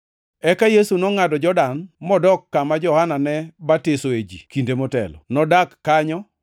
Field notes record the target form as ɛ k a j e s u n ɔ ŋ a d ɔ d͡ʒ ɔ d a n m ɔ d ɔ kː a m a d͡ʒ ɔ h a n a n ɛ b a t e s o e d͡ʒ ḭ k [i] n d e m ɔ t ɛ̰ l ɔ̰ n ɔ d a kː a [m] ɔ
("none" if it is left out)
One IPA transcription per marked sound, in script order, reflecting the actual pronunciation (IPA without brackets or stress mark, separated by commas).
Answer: i, ɲ